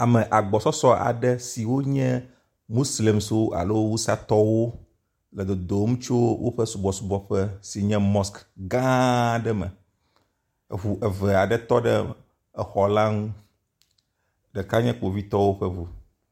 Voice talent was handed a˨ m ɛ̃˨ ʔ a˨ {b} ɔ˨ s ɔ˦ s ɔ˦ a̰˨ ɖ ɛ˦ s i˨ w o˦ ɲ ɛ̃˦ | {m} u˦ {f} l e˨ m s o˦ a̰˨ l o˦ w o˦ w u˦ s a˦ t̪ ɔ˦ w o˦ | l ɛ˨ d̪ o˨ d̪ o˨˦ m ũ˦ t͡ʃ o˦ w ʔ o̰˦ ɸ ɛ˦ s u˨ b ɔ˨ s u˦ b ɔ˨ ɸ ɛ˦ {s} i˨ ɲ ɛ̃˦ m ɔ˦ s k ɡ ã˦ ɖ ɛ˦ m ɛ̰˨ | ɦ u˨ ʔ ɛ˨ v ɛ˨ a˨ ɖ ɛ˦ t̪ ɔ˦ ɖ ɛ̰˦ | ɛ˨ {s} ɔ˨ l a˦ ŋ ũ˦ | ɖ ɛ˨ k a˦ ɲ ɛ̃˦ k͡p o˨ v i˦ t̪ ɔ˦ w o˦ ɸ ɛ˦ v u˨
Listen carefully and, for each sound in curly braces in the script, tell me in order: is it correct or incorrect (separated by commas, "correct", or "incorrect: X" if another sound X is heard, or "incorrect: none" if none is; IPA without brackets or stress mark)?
incorrect: ɡ͡b, correct, incorrect: s, correct, incorrect: x